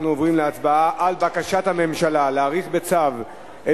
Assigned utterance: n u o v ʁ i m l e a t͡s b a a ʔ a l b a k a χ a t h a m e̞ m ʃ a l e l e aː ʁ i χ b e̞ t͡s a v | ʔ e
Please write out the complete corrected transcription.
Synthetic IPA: n u o v ʁ i m l e a t͡s b a a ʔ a l b a k a ʃ a t h a m e̞ m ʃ a l a l e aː ʁ i χ b e̞ t͡s a v | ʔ e